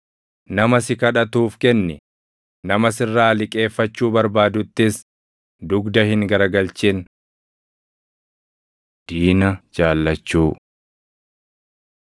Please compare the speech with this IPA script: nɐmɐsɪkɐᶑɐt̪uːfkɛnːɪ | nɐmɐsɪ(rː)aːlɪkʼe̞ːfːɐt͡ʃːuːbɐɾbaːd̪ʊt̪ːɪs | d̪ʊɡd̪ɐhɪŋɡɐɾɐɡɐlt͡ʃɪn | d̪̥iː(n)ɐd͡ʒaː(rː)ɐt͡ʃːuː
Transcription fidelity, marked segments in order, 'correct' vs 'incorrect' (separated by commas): correct, correct, incorrect